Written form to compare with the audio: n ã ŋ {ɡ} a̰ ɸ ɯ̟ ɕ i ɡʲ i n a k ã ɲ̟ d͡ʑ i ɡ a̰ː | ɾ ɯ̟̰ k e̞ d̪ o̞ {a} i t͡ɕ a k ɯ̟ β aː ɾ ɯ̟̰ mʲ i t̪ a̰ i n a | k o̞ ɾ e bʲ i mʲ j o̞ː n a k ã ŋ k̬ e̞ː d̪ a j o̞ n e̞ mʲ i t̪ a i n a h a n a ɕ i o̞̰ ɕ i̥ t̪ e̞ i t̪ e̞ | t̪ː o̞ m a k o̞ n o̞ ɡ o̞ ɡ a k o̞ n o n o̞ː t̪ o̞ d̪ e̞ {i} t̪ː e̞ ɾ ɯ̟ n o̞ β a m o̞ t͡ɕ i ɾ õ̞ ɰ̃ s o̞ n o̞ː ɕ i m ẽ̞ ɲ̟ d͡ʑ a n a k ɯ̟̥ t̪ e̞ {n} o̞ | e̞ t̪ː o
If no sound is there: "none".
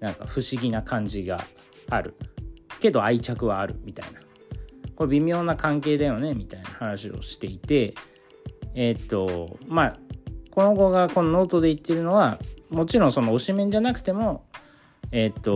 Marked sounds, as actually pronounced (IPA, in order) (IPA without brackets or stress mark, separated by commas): k, a, i, m